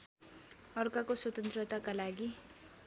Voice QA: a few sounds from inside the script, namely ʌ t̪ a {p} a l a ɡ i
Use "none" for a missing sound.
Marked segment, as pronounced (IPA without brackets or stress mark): k